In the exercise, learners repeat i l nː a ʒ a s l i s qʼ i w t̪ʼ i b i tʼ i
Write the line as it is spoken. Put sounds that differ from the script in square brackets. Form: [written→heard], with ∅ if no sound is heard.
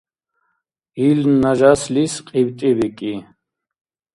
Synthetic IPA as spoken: i l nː a ʒ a s l i s qʼ i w t̪ʼ i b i [tʼ→kʼ] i